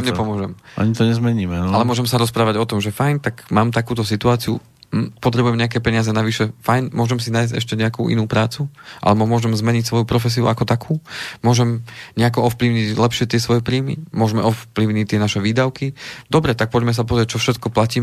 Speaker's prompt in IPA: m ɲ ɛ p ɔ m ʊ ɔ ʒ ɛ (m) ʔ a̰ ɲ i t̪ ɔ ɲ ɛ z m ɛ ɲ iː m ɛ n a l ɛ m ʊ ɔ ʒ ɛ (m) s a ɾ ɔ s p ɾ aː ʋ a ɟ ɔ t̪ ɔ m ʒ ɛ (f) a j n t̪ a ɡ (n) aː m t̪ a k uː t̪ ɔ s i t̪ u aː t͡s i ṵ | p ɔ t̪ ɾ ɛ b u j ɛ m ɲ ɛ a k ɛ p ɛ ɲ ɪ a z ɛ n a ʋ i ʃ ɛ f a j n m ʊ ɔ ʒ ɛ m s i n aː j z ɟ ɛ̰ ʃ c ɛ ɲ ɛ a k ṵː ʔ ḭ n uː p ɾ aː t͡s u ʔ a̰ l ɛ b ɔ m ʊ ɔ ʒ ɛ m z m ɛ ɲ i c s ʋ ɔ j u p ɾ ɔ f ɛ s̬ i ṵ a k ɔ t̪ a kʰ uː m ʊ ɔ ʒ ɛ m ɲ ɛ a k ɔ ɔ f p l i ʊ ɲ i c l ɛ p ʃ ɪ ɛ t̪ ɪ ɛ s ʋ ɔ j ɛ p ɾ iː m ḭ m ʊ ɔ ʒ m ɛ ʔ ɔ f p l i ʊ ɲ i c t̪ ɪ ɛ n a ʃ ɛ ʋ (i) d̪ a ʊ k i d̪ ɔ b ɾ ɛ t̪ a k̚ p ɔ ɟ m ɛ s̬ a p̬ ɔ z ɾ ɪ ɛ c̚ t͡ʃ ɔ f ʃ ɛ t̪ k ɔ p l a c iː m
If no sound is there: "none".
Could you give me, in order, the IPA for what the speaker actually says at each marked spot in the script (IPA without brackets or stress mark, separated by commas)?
m, m, f, m, iː